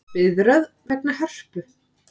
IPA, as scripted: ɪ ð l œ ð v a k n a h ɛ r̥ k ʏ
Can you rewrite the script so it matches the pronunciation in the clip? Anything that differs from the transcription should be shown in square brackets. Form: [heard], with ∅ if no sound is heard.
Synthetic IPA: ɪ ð [ɾ] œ ð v [ɛ] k n a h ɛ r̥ [p] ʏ